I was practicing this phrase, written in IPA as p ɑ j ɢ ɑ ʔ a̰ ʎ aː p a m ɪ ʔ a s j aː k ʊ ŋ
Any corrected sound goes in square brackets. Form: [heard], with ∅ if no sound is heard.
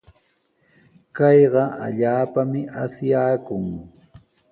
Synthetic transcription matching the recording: [k] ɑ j ɢ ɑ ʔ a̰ ʎ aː p a m ɪ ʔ a s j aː k ʊ ŋ